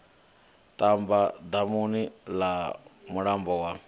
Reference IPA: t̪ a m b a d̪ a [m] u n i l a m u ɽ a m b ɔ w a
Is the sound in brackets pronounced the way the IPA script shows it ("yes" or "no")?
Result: yes